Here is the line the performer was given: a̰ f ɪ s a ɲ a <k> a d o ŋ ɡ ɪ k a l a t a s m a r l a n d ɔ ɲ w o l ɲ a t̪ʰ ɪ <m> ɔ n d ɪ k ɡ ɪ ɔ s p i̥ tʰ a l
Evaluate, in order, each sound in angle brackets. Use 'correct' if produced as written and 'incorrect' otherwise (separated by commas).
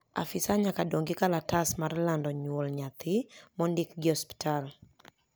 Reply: correct, correct